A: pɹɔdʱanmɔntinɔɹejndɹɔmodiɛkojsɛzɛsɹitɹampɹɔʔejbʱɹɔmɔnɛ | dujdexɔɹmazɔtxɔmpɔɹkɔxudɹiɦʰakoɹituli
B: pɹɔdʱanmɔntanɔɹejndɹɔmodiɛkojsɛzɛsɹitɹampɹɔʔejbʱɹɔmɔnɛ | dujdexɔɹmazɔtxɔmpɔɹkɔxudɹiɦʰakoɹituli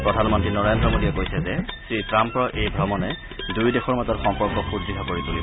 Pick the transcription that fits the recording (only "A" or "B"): A